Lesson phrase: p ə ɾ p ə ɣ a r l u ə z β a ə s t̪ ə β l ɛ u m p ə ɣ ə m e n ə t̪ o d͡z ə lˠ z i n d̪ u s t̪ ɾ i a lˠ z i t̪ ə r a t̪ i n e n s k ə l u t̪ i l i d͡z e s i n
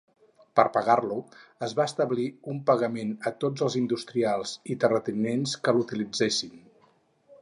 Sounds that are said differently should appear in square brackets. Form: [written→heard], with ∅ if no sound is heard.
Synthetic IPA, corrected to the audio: p ə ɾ p ə ɣ a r l u ə z β a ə s t̪ ə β l [ɛ→i] u m p ə ɣ ə m e n ə t̪ o d͡z ə lˠ z i n d̪ u s t̪ ɾ i a lˠ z i t̪ ə r [a→ə] t̪ i n e n s k ə l u t̪ i l i d͡z e s i n